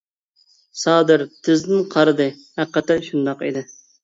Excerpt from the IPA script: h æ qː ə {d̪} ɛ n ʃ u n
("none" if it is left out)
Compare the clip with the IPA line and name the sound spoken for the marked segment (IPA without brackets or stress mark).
t̪